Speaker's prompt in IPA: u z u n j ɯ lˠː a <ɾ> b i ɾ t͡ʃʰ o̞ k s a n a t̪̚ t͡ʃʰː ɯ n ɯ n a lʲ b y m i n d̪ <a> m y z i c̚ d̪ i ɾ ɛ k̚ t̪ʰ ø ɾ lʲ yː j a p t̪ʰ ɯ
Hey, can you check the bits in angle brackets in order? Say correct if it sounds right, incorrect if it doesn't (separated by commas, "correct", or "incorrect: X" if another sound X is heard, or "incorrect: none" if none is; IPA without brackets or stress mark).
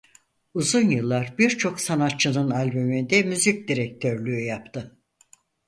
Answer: correct, incorrect: ɛ